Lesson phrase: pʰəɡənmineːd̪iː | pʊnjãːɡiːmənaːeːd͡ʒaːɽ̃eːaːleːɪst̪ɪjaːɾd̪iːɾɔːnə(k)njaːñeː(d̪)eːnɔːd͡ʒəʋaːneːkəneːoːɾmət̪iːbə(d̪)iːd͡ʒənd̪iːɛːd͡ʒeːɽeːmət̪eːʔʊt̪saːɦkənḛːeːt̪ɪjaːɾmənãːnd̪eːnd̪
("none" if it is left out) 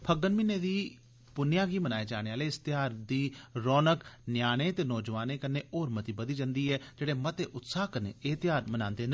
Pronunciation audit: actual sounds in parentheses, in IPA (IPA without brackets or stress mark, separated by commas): k, t̪, d̪